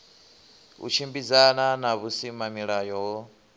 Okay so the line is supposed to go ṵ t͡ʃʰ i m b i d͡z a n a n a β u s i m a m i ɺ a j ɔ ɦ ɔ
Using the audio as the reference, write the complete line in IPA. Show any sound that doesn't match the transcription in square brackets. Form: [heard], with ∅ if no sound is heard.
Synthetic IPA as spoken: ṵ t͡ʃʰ i m b i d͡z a n a n a β u s i m a m i ɺ a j ɔ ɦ ɔ